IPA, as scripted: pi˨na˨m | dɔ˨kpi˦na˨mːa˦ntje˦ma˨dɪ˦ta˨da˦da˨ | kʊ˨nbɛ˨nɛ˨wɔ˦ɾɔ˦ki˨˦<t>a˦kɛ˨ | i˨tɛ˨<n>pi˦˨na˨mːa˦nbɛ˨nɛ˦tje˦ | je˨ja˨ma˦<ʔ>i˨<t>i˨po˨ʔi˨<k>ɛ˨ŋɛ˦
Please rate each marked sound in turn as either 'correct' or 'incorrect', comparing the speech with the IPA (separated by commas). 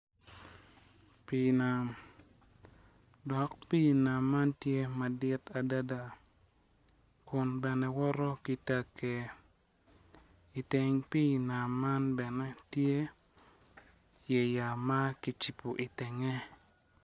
correct, incorrect, incorrect, incorrect, incorrect